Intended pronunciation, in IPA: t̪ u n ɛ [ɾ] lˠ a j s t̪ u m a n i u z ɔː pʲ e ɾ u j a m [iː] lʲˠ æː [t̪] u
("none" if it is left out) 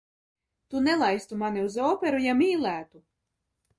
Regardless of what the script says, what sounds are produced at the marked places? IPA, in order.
none, iː, t̪

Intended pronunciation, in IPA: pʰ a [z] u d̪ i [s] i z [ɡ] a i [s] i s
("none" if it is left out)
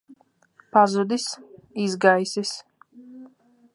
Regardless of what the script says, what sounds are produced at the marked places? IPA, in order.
z, s, ɡ, s

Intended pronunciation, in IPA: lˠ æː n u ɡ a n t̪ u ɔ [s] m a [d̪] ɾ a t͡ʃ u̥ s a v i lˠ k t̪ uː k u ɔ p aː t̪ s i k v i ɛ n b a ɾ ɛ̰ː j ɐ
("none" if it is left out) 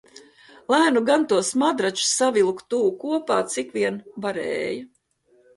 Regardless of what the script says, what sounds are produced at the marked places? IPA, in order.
s, d̪

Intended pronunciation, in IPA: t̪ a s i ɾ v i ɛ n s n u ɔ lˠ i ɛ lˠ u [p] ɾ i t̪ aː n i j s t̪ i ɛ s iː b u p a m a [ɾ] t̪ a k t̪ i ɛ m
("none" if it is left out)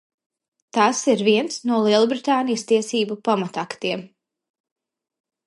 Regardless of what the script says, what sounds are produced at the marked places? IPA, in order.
b, none

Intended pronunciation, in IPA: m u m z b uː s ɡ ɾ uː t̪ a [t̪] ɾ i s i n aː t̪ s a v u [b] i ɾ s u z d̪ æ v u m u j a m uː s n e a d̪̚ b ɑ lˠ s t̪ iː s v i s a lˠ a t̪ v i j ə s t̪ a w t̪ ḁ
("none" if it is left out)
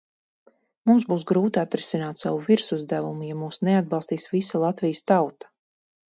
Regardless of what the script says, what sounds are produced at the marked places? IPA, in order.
t̪, v

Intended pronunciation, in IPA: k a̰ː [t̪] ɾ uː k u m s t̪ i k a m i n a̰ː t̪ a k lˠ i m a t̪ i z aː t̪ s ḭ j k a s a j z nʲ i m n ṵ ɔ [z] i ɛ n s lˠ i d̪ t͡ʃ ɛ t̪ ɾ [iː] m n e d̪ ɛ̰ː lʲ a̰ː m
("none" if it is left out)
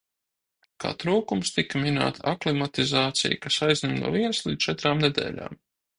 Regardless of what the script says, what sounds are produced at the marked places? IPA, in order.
t̪, v, aː

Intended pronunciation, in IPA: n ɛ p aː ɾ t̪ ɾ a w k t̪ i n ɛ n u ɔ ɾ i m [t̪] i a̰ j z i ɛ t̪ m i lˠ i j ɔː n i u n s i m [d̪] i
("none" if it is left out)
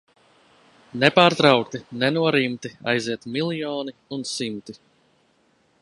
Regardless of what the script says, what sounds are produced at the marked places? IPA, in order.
t̪, t̪

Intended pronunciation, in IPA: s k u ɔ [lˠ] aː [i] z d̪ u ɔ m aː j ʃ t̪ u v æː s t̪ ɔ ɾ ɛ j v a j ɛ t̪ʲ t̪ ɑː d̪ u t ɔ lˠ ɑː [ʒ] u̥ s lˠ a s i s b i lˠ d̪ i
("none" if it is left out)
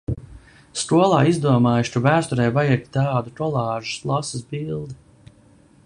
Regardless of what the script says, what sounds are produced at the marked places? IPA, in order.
lˠ, i, ʒ

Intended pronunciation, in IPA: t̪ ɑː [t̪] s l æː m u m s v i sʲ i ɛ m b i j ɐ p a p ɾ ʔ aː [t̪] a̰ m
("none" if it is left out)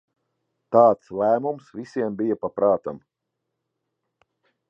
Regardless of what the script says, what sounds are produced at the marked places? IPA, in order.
t̪, t̪

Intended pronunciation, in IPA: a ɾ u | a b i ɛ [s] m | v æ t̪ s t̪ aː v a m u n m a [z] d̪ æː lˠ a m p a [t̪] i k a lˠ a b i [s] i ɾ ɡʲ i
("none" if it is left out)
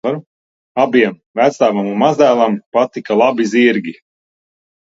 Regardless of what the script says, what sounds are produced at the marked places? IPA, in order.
none, z, t̪, z

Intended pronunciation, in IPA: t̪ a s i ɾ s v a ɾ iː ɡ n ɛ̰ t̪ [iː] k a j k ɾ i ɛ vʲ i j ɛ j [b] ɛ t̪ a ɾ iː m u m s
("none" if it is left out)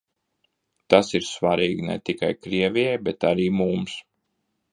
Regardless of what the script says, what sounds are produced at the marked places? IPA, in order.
i, b

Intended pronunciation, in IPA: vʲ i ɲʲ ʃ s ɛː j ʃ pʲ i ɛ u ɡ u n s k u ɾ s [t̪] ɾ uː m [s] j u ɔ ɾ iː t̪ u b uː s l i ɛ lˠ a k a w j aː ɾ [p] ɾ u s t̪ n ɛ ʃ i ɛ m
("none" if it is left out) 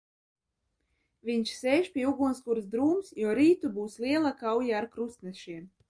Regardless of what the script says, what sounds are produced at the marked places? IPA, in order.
d̪, s, k

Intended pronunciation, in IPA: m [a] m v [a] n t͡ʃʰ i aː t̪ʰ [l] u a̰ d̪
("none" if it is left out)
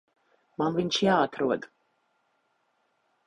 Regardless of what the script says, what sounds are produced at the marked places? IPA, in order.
a, i, ɾ

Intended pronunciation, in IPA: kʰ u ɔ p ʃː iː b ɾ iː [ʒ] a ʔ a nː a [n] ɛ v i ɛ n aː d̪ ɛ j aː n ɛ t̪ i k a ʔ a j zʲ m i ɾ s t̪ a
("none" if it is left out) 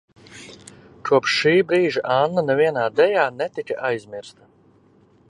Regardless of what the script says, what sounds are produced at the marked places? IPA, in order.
ʒ, n

